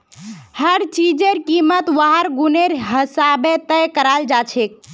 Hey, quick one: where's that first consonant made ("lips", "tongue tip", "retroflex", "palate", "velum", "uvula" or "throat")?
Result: throat